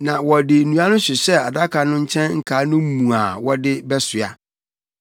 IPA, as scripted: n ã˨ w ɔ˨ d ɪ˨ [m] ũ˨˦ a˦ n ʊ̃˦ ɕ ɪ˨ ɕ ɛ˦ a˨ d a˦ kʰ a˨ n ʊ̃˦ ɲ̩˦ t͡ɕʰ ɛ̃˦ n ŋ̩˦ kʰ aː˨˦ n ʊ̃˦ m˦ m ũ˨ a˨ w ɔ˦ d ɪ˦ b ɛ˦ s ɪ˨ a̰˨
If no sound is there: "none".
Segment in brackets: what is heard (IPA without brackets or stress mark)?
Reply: n